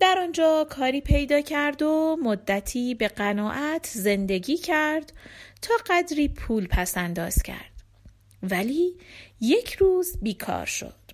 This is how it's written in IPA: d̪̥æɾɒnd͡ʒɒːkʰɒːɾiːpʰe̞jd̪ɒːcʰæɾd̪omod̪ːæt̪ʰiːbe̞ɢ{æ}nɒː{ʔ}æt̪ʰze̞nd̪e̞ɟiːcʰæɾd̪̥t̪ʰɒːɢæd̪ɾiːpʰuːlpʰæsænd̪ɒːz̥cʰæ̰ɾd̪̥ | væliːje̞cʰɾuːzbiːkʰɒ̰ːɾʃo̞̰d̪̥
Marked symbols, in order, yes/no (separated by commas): yes, yes